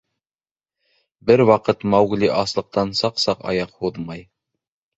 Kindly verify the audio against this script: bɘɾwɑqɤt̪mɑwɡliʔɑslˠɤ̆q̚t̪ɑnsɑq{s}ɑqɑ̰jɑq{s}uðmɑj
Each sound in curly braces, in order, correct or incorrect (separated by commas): correct, incorrect